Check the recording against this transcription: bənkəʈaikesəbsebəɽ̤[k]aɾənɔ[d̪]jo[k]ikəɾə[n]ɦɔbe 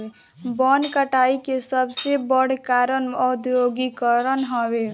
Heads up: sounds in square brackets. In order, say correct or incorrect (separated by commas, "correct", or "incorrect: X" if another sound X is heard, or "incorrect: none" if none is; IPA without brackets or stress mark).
correct, correct, incorrect: ɡ, correct